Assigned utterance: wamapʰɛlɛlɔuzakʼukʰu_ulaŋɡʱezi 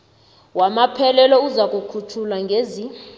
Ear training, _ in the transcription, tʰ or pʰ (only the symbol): tʰ